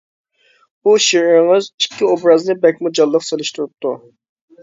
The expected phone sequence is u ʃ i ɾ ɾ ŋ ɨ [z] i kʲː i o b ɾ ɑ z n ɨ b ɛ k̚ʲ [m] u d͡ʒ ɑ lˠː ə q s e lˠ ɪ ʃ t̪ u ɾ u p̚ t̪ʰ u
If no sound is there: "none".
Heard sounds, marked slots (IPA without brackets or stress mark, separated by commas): z, m